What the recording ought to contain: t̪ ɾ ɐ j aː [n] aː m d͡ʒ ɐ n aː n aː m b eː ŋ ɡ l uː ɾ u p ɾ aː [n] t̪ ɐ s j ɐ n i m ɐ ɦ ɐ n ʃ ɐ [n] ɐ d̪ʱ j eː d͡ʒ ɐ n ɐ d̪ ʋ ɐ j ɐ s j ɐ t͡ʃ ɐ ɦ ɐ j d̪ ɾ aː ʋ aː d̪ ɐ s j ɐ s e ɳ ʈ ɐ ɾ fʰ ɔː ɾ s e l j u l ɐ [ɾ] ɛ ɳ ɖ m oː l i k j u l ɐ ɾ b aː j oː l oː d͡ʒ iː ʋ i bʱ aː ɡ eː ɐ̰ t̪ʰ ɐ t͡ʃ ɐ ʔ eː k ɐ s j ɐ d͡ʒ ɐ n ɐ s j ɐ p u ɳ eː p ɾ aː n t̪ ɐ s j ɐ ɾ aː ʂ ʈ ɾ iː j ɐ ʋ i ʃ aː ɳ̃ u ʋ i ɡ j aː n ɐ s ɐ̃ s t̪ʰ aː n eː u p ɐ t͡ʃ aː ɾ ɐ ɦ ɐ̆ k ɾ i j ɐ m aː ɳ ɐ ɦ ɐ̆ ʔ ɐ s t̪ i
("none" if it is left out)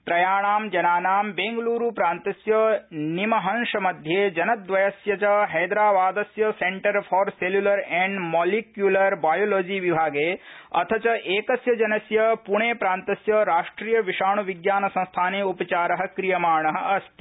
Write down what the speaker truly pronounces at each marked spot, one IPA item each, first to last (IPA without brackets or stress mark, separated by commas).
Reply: ɳ, n, m, ɾ